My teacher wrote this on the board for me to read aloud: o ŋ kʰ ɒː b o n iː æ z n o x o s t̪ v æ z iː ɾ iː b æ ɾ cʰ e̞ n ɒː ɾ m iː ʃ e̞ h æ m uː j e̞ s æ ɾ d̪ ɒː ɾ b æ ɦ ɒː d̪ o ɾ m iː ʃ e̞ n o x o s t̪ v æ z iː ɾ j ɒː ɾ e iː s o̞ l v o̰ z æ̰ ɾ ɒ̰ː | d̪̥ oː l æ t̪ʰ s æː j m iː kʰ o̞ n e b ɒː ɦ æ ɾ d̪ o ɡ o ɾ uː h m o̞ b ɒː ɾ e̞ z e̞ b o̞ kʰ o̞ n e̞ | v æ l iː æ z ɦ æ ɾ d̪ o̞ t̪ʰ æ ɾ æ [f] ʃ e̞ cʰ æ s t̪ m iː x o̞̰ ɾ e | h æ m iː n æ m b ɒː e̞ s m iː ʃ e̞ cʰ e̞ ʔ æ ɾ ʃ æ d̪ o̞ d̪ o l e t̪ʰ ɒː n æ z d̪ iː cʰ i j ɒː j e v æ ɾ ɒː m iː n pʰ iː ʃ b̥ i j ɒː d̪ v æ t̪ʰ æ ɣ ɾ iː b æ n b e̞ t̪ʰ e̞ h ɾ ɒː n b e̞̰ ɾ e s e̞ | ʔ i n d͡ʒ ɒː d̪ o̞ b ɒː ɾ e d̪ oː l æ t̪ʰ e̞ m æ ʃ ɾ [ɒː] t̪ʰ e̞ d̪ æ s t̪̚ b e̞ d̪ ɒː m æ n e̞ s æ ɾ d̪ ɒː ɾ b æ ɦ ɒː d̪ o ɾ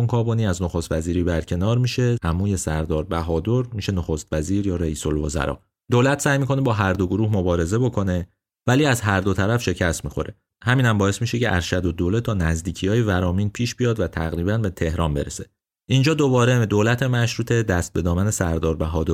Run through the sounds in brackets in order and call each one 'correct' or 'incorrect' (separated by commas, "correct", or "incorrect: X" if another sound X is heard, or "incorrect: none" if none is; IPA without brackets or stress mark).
correct, incorrect: uː